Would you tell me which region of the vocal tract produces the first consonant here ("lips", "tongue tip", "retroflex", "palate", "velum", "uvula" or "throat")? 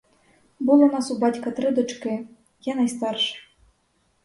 lips